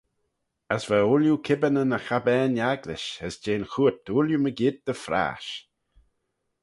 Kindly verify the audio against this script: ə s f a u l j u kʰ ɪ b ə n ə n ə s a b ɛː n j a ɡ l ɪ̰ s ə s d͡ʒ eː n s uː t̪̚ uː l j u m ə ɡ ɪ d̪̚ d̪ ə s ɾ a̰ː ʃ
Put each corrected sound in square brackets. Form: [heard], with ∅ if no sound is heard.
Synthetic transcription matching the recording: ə s [v] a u l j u kʰ ɪ b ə n ə n ə [x] a b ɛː n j a ɡ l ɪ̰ [ʃ] ə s d͡ʒ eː n [x] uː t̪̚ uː l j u m ə ɡ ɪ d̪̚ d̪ ə [f] ɾ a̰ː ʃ